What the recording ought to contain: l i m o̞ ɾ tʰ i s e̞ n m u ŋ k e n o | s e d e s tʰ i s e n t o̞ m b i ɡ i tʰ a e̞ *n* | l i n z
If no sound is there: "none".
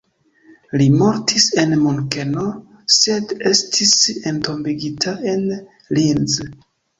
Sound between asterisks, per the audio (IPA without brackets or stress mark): n